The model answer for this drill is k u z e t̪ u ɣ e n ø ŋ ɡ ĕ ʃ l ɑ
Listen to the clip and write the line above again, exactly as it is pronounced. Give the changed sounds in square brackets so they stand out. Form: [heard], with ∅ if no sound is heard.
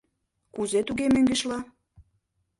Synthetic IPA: k u z e t̪ u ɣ e [m] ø ŋ ɡ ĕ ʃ l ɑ